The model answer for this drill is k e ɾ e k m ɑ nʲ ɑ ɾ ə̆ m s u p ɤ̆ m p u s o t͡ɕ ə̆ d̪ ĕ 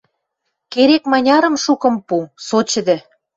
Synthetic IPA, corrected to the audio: k e ɾ e k m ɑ nʲ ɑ ɾ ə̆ m ʃ u k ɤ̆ m p u s o t͡ɕ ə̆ d̪ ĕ